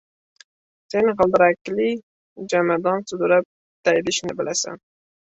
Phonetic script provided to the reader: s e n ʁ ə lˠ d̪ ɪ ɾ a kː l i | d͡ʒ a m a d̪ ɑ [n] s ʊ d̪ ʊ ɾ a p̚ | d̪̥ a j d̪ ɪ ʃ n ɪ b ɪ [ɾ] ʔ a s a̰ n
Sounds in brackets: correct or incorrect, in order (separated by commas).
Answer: correct, incorrect